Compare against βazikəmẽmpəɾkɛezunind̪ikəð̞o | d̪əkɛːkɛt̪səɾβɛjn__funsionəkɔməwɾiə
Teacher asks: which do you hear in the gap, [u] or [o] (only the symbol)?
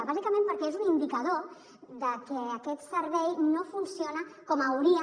o